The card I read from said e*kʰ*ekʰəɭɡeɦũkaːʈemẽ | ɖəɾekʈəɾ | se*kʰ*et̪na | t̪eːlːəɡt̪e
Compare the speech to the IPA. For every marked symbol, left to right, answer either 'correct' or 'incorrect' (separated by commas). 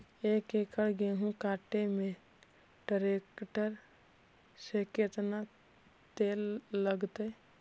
incorrect, incorrect